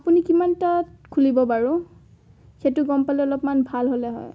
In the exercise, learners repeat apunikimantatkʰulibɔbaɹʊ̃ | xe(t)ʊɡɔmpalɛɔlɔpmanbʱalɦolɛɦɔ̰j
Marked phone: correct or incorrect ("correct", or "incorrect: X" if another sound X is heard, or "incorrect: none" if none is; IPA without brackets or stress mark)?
correct